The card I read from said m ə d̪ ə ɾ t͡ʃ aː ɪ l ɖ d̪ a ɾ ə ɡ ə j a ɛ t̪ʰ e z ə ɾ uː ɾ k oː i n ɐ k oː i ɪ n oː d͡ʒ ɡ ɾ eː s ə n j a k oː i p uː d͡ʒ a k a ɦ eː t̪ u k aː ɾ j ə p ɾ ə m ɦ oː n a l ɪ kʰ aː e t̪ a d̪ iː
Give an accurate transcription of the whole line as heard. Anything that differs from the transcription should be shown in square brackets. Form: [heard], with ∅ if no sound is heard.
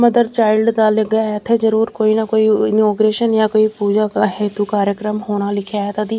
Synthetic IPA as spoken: m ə d̪ ə ɾ t͡ʃ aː ɪ l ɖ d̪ a [l] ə ɡ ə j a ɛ t̪ʰ e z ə ɾ uː ɾ k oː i n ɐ k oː i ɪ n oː [∅] ɡ ɾ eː [ʃ] ə n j a k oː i p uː d͡ʒ a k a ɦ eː t̪ u k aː ɾ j ə [k] ɾ ə m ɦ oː n a l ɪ kʰ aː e t̪ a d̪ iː